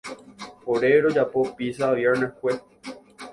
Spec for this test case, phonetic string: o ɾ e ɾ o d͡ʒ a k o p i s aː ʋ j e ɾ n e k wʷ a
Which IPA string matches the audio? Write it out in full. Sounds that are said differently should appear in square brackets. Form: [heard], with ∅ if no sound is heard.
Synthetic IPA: o ɾ e ɾ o d͡ʒ a [p] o p i s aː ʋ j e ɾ n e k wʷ [e]

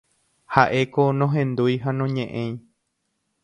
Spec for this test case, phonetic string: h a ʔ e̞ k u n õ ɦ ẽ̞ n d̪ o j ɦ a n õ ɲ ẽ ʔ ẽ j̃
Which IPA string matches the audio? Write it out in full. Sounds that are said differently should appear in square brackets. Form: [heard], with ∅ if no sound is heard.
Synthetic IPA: h a ʔ e̞ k [o] n õ ɦ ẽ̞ n d̪ [u] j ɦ a n õ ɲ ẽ ʔ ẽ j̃

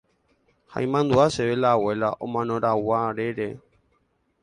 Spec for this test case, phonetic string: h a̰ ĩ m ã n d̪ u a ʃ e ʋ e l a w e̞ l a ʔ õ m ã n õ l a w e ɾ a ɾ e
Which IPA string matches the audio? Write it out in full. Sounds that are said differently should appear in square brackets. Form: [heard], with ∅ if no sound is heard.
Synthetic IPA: h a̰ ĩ m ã n d̪ u a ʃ e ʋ e l a w e̞ l a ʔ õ m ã n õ [ɾ] a w [a] ɾ [e] ɾ e

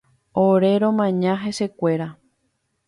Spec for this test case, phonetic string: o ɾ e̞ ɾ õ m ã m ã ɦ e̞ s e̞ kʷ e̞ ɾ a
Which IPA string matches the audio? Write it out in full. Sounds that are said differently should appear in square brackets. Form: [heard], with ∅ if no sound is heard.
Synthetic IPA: o ɾ e̞ ɾ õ m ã [ɲ] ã ɦ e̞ s e̞ kʷ e̞ ɾ a

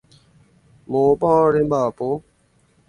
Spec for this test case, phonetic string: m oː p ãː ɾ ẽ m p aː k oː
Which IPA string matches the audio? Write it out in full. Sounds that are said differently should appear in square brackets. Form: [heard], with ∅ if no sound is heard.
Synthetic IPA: m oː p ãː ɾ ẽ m [b] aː [p] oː

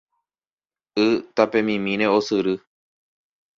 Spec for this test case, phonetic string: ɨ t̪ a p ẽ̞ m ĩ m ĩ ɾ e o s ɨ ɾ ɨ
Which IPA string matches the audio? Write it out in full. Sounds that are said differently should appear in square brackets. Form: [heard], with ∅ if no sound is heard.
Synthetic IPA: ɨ t̪ a p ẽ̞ m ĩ m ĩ ɾ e o s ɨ ɾ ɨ

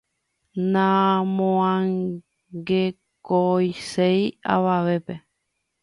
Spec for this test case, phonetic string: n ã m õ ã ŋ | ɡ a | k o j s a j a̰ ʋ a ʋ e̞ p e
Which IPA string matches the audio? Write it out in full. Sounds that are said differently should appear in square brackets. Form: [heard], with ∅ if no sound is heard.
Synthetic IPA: n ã m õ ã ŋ | ɡ [e] | k o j s [e] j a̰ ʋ a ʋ e̞ p e

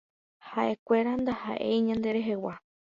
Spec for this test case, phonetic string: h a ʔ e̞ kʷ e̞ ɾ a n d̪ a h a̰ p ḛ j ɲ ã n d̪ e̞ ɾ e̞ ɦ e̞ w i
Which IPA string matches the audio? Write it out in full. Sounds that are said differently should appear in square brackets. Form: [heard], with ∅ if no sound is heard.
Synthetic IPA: h a ʔ e̞ kʷ e̞ ɾ a n d̪ a h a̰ [ʔ] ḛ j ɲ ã n d̪ e̞ ɾ e̞ ɦ e̞ w [a]

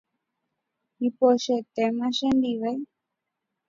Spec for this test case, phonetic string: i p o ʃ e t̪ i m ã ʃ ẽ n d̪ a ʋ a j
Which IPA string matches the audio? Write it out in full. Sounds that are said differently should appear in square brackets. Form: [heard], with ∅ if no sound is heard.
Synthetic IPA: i p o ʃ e t̪ [e] m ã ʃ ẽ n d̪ [i] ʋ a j

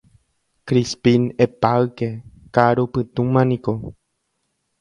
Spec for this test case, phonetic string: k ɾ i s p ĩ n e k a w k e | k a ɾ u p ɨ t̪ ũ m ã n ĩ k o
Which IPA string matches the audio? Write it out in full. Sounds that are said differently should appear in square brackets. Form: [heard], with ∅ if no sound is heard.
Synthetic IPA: k ɾ i s p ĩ n e [p] a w k e | k a ɾ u p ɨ t̪ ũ m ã n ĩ k o

